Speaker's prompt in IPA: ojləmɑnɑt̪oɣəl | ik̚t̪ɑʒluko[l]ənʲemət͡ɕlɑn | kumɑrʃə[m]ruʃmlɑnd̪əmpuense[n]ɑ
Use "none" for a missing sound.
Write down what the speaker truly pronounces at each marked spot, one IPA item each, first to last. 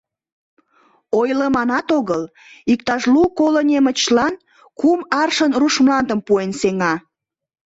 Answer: l, n, ŋ

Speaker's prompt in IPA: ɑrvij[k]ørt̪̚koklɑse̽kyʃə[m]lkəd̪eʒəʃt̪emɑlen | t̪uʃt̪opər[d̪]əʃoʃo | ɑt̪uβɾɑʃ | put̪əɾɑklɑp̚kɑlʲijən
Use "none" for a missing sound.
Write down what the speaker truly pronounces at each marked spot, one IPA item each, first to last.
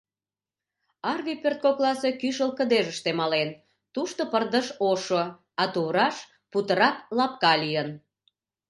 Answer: p, none, d̪

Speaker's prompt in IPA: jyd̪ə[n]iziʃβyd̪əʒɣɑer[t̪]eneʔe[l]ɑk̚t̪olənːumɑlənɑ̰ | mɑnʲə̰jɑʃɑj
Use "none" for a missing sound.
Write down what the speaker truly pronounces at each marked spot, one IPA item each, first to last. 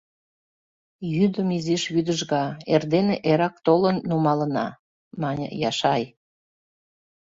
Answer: m, d̪, ɾ

